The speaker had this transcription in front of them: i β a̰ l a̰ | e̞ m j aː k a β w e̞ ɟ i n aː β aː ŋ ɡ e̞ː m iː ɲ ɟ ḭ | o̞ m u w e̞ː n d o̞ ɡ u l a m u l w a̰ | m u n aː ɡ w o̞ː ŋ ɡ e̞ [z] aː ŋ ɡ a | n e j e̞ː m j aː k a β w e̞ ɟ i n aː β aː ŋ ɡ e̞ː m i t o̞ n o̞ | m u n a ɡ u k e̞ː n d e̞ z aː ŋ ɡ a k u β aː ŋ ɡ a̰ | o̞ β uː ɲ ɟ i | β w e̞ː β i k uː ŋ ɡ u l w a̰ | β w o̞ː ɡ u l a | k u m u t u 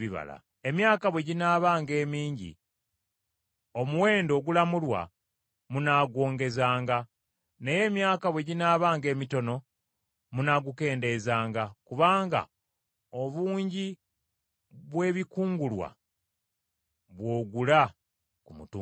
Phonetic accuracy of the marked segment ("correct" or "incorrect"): correct